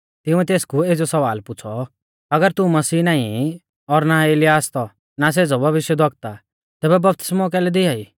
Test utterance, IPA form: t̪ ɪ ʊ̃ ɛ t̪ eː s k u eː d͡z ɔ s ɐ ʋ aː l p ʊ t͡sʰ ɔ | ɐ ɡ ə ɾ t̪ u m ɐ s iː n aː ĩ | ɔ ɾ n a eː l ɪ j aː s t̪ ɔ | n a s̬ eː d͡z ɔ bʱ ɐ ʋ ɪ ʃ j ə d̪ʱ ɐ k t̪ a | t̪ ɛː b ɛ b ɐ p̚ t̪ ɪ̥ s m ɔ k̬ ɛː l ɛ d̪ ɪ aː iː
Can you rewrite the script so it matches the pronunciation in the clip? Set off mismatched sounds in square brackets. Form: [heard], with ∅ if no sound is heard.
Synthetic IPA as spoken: t̪ ɪ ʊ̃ ɛ t̪ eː s k u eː d͡z ɔ s ɐ ʋ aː l p ʊ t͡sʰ ɔ | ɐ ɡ ə ɾ t̪ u m ɐ s iː n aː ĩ | ɔ ɾ n a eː l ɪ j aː s t̪ ɔ | n a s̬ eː d͡z ɔ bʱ ɐ ʋ ɪ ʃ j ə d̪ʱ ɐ k t̪ a | t̪ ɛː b ɛ b ɐ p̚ t̪ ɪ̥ s m ɔ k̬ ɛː l ɛ d̪ ɪ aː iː